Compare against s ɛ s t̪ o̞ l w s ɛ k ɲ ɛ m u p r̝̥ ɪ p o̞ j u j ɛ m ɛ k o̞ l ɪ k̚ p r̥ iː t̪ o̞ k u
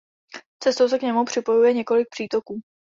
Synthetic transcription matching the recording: t͡s ɛ s t̪ o̞ w s ɛ k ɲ ɛ m u p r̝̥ ɪ p o̞ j u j ɛ ɲ ɛ k o̞ l ɪ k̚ p r̥ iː t̪ o̞ k uː